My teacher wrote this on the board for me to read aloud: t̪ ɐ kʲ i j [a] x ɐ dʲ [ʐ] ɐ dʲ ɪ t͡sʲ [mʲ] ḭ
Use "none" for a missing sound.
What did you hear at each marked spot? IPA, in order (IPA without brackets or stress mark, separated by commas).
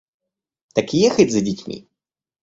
ɛ, z, mʲ